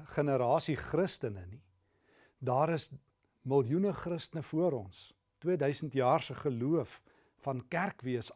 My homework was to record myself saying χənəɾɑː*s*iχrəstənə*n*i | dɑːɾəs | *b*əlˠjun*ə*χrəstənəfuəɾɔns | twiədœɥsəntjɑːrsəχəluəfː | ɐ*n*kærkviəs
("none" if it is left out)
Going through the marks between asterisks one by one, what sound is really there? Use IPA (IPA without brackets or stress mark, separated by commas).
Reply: s, n, m, ə, n